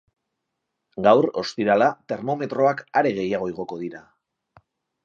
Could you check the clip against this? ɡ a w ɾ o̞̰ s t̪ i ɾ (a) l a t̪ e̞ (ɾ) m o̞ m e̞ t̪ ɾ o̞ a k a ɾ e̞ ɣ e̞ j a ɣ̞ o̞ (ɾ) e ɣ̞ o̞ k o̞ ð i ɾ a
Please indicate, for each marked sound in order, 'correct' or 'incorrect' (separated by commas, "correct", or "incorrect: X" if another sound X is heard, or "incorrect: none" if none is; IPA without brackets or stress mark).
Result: correct, correct, incorrect: none